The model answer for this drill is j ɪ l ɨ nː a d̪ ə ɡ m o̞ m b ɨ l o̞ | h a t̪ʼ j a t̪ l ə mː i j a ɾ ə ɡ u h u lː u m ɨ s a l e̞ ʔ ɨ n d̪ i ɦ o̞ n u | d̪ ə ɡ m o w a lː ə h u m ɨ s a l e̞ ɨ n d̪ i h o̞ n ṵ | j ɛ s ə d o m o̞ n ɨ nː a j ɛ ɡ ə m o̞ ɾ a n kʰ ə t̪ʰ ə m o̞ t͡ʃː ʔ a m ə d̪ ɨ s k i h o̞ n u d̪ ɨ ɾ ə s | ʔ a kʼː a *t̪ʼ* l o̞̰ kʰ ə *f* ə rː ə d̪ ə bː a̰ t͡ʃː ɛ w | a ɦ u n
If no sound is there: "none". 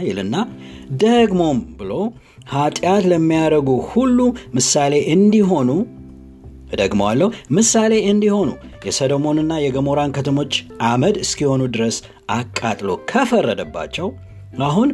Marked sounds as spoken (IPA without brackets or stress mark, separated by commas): t̪ʼ, f